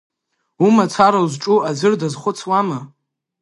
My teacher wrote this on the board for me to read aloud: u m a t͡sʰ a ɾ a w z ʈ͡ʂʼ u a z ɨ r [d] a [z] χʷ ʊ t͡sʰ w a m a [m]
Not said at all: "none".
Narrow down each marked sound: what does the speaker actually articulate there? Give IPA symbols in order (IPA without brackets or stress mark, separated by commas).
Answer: d, z, none